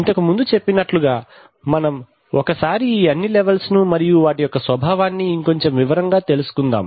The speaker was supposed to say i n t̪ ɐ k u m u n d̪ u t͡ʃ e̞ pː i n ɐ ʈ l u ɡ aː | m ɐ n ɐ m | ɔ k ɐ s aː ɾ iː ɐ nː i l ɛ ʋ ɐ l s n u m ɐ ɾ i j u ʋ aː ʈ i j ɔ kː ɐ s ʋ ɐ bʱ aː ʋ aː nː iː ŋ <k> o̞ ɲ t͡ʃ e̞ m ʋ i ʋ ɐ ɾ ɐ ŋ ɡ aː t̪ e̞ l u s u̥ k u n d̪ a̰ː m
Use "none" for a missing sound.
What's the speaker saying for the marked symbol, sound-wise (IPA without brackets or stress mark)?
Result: k